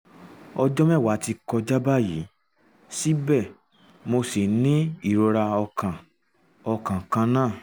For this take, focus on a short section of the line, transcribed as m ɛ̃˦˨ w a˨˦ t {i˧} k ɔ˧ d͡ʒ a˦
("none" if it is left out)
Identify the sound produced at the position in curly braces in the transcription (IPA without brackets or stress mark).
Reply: i˧